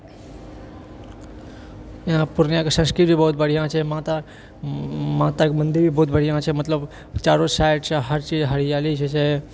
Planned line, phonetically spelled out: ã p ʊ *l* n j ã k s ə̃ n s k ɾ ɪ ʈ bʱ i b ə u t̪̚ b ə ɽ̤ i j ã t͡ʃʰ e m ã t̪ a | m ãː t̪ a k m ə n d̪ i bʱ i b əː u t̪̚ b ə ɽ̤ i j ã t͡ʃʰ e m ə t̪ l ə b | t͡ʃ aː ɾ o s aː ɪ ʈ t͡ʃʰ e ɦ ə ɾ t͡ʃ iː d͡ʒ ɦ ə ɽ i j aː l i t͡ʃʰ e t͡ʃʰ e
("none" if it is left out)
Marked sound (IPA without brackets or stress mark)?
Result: ɾ